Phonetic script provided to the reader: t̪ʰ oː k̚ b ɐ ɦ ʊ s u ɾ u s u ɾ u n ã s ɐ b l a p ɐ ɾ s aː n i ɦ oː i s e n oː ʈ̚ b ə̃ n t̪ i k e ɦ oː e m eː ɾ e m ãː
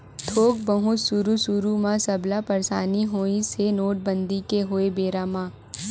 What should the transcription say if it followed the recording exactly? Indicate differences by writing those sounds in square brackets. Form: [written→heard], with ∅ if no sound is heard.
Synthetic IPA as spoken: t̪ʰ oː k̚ b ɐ ɦ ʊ s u ɾ u s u ɾ u [n→m] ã s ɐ b l a p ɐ ɾ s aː n i ɦ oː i s e n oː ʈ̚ b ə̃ n [t̪→d̪] i k e ɦ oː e [m→b] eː ɾ [e→a] m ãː